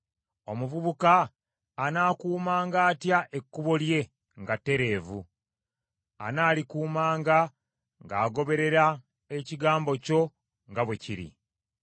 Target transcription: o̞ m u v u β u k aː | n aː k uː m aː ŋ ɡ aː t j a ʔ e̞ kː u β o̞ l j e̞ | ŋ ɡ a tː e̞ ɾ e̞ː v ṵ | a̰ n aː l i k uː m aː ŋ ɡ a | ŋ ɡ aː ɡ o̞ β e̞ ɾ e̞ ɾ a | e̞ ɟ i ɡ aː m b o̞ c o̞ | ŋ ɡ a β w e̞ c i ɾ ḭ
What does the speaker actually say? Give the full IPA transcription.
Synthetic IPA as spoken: o̞ m u v u β u k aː | n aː k uː m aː ŋ ɡ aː t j a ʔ e̞ kː u β o̞ l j e̞ | ŋ ɡ a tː e̞ ɾ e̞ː v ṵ | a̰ n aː l i k uː m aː ŋ ɡ a | ŋ ɡ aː ɡ o̞ β e̞ ɾ e̞ ɾ a | e̞ c i ɡ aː m b o̞ c o̞ | ŋ ɡ a β w e̞ c i ɾ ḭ